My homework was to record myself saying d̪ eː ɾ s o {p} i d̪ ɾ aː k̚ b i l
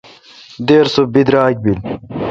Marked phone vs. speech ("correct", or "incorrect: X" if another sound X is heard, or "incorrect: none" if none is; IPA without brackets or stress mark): incorrect: b